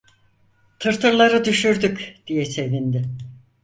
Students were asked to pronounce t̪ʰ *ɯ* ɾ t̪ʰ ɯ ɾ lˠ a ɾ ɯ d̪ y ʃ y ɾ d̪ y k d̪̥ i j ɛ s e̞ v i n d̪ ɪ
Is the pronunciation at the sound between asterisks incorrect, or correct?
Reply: correct